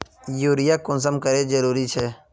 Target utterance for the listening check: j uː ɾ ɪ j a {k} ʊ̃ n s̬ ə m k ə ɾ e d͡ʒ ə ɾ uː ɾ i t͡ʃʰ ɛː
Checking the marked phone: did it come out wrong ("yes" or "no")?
no